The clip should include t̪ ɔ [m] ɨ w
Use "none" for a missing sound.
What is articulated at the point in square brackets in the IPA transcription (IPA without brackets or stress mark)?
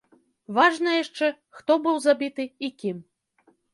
b